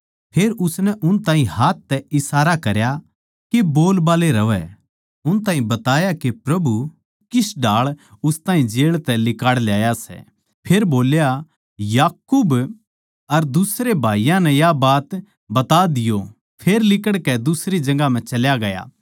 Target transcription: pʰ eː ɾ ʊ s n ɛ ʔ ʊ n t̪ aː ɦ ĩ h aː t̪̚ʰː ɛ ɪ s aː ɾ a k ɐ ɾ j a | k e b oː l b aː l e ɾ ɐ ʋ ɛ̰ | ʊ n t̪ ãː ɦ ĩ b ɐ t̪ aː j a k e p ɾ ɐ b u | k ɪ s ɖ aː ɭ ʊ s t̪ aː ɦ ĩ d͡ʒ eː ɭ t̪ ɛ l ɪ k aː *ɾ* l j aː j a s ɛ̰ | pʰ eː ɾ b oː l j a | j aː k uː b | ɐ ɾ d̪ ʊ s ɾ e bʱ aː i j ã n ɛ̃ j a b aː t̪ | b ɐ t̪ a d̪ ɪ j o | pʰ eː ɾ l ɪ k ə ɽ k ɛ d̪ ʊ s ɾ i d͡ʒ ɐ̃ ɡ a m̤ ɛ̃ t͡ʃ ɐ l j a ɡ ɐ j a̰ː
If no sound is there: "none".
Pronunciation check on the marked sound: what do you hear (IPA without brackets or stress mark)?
ɽ